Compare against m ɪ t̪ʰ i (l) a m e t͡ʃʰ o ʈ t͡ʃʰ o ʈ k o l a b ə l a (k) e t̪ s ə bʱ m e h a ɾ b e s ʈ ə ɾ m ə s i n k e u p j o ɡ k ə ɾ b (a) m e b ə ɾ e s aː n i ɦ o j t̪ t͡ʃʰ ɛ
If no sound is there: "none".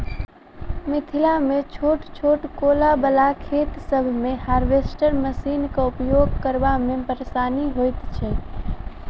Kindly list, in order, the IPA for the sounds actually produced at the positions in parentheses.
l, kʰ, a

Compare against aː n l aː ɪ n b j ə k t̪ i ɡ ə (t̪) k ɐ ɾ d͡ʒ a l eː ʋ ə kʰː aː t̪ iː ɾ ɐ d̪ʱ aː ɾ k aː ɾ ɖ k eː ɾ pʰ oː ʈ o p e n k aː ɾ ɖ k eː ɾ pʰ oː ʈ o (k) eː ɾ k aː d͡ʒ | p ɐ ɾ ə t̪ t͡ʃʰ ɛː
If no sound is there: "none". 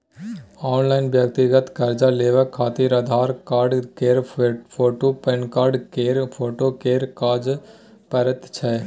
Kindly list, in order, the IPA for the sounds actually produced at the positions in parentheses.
t̪, k

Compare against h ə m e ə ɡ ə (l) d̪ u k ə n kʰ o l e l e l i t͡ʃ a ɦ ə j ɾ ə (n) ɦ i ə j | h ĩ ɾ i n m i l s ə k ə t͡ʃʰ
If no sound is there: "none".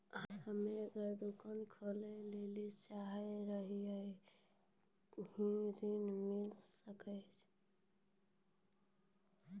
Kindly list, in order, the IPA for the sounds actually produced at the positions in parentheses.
ɾ, none

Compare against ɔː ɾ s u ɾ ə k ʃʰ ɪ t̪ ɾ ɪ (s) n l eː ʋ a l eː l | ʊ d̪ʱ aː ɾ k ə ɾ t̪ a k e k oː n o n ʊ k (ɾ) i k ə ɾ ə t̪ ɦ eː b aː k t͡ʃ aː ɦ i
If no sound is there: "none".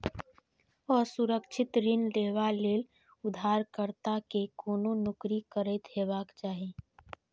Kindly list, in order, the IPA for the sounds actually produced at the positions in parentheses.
none, ɾ

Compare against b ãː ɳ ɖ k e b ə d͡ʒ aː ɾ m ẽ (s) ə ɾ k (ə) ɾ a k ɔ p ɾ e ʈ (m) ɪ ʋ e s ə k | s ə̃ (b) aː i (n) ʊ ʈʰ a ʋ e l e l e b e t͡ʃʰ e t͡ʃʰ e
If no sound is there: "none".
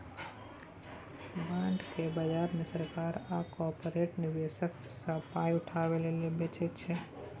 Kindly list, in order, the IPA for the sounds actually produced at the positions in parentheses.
s, a, n, p, none

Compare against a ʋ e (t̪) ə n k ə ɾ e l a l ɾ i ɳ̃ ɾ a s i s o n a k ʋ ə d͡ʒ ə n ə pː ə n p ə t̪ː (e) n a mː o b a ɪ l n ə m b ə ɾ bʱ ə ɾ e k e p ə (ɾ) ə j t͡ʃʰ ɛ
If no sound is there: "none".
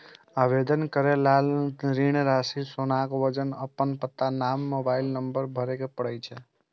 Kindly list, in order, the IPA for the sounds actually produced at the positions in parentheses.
d̪, a, ɽ

